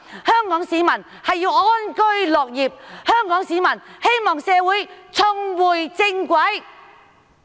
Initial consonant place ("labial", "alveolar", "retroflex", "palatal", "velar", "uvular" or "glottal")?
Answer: glottal